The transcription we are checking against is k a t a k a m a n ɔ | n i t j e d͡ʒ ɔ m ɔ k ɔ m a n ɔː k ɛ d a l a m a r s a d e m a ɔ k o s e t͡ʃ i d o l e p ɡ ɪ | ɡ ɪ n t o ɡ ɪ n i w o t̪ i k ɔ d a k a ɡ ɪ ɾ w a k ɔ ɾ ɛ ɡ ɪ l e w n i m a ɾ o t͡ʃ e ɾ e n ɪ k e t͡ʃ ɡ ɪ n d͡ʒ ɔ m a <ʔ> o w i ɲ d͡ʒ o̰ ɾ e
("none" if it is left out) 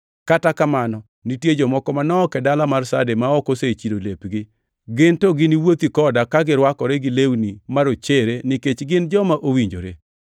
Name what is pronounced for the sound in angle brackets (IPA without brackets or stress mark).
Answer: ʔ